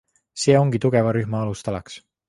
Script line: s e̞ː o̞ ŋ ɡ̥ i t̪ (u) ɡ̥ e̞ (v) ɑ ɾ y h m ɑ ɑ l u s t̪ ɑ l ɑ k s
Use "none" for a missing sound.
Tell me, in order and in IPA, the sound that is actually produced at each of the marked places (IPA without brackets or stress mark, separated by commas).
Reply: u, v